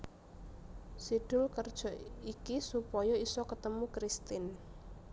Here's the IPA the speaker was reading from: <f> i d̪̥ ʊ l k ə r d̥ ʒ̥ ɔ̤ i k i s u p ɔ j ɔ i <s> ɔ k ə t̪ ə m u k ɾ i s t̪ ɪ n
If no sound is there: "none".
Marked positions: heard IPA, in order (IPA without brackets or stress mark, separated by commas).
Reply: s, s